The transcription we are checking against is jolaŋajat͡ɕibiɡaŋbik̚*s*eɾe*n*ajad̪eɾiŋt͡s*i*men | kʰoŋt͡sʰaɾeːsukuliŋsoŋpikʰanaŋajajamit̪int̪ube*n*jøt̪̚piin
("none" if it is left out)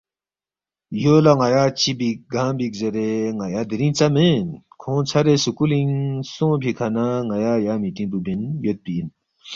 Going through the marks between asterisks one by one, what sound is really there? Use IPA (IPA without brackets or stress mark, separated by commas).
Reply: z, ŋ, a, n